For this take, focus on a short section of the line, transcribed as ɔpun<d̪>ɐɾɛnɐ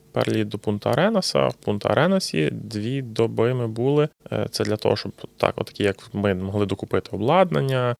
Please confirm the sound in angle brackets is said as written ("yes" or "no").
no